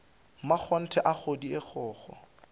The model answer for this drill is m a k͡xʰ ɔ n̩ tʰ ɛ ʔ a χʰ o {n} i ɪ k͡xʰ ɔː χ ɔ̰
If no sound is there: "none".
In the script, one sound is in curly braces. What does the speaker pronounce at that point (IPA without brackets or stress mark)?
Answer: d